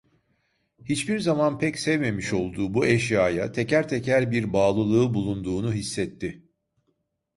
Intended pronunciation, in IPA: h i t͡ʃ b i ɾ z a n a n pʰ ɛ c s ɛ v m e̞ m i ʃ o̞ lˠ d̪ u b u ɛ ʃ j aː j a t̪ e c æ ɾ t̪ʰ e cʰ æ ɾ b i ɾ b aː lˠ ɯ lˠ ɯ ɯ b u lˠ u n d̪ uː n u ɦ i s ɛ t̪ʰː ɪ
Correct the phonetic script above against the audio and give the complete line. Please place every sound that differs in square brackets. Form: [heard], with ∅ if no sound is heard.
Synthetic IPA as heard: h i t͡ʃ b i ɾ z a [m] a n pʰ ɛ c s ɛ v m e̞ m i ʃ o̞ lˠ d̪ [uː] b u ɛ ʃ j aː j a [t̪ʰ] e c æ ɾ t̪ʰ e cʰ æ ɾ b i ɾ b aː lˠ ɯ lˠ ɯ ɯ b u lˠ u n d̪ uː n u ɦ i [sː] ɛ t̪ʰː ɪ

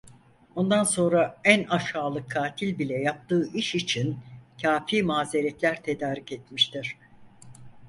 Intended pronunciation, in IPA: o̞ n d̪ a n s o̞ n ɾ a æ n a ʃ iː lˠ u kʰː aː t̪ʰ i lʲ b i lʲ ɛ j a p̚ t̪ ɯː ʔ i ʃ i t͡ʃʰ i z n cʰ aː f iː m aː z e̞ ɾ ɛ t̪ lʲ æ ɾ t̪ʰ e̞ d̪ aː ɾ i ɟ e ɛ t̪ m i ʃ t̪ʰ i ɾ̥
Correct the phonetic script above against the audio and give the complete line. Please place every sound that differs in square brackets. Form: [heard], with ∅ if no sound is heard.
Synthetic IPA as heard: o̞ n d̪ a n s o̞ n ɾ a æ n a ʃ [aː] lˠ [ɯ] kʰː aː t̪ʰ i lʲ b i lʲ ɛ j a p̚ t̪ ɯː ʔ i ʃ i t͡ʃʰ i [∅] n cʰ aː f iː m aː z e̞ ɾ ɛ t̪ lʲ æ ɾ t̪ʰ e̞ d̪ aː ɾ i [c] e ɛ t̪ m i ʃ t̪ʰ i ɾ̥

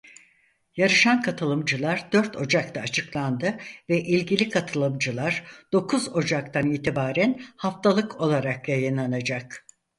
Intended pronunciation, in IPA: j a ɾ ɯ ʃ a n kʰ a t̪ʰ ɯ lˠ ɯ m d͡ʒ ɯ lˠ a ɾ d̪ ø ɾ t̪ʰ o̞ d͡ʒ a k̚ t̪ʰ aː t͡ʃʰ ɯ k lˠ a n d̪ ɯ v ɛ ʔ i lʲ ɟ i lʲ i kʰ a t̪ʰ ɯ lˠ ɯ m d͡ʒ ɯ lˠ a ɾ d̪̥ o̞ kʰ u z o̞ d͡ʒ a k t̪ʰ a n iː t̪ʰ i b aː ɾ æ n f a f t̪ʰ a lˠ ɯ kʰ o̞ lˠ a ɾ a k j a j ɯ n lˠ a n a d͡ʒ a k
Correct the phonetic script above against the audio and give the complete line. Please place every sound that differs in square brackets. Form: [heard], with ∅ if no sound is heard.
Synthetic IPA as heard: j a ɾ ɯ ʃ a n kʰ a t̪ʰ ɯ lˠ ɯ m d͡ʒ ɯ lˠ a ɾ d̪ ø ɾ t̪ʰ o̞ d͡ʒ a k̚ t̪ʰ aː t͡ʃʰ ɯ k lˠ a n d̪ ɯ v ɛ ʔ i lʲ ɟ i lʲ i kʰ a t̪ʰ ɯ lˠ ɯ m d͡ʒ ɯ lˠ a ɾ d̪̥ o̞ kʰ u z o̞ d͡ʒ a k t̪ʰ a n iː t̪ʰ i b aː ɾ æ n [h] a f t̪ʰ a lˠ ɯ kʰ o̞ lˠ a ɾ a k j a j ɯ n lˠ a n a d͡ʒ a k

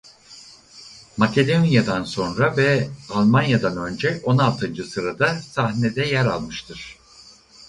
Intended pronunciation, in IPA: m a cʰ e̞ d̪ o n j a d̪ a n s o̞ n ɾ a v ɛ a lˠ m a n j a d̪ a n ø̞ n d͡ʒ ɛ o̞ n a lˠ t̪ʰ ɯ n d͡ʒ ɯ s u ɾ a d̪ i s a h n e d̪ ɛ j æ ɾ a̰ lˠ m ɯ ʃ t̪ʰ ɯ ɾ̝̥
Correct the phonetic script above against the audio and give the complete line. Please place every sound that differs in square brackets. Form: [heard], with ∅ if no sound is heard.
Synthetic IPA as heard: m a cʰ e̞ d̪ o n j a d̪ a n s o̞ n ɾ a v ɛ a lˠ m a n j a d̪ a n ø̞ n d͡ʒ ɛ o̞ n a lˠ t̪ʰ ɯ n d͡ʒ ɯ s [ɯ] ɾ a d̪ [a] s a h n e d̪ ɛ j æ ɾ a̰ lˠ m ɯ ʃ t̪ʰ ɯ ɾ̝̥

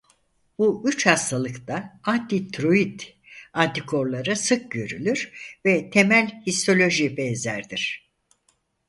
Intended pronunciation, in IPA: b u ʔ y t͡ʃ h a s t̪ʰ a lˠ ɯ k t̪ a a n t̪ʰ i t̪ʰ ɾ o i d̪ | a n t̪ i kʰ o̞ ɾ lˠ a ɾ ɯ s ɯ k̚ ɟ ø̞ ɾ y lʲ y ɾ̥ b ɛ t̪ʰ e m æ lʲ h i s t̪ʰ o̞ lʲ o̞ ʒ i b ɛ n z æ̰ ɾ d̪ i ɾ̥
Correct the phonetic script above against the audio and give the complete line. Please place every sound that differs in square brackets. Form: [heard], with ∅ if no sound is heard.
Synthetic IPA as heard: b u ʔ y t͡ʃ h a s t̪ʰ a lˠ ɯ k t̪ a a n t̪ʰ i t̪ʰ ɾ o i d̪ | a n t̪ i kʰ o̞ ɾ lˠ a ɾ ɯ s ɯ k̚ ɟ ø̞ ɾ y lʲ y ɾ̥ [v] ɛ t̪ʰ e m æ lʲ h i s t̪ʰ o̞ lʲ o̞ ʒ i b ɛ n z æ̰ ɾ d̪ i ɾ̥

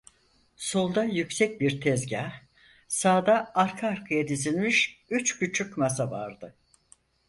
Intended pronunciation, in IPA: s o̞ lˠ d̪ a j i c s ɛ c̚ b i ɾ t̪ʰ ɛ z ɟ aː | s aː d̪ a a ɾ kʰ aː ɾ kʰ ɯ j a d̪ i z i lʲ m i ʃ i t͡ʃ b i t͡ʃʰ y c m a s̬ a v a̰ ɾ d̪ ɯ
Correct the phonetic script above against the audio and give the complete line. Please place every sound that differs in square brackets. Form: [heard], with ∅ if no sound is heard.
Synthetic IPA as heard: s o̞ lˠ d̪ a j [y] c s ɛ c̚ b i ɾ t̪ʰ ɛ z ɟ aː | s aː d̪ a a ɾ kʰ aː ɾ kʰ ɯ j a d̪ i z i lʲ m i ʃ [y] t͡ʃ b [y] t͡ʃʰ y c m a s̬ a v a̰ ɾ d̪ ɯ

